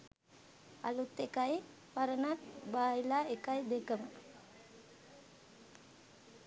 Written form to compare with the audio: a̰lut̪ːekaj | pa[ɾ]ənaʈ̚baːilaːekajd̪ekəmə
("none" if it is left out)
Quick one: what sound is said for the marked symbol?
ɾ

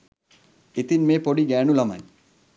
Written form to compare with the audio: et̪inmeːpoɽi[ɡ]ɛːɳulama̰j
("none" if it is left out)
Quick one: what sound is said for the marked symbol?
ɡ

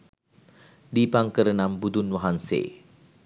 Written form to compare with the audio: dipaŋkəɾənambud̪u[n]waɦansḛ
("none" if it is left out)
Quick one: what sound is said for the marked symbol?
n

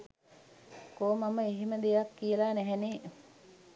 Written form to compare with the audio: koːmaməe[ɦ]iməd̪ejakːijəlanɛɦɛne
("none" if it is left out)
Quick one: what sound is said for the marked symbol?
ɦ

